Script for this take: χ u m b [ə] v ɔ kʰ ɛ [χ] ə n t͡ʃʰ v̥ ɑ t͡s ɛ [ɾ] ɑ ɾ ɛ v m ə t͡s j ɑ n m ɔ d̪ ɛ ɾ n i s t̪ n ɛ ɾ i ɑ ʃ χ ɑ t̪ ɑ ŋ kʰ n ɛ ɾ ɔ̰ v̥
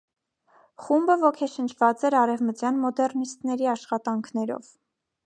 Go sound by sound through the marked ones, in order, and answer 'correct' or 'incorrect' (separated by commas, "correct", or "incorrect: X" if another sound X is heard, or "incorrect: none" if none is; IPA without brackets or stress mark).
correct, incorrect: ʃ, correct